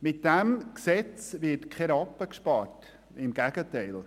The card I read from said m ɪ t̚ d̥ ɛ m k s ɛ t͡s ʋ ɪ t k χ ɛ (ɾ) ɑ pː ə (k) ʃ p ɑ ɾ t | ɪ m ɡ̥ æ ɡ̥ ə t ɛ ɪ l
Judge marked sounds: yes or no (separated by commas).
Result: yes, yes